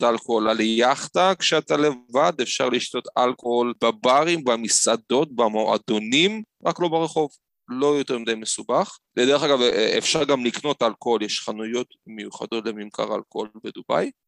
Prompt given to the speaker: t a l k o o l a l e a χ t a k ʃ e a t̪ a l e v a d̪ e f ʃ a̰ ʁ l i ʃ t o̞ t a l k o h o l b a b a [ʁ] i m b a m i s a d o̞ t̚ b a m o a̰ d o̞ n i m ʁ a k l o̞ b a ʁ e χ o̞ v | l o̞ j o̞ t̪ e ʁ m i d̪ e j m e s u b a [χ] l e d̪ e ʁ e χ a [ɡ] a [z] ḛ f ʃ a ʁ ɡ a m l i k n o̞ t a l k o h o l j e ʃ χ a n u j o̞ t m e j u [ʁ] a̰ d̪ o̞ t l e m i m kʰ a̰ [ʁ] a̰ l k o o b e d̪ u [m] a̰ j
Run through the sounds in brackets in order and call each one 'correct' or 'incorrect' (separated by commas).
correct, correct, correct, incorrect, incorrect, correct, incorrect